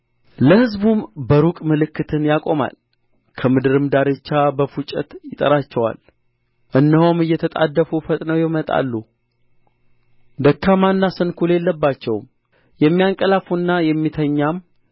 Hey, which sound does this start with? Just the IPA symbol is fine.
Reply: l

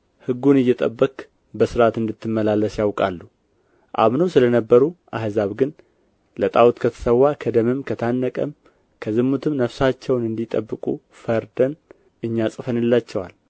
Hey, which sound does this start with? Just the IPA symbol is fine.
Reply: h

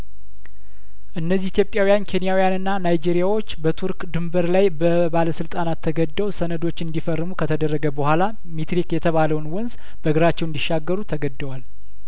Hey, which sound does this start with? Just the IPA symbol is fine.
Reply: ʔ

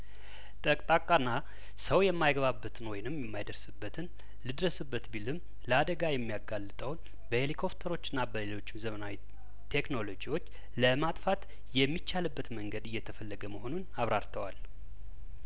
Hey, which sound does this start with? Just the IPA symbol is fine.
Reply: t̪ʼ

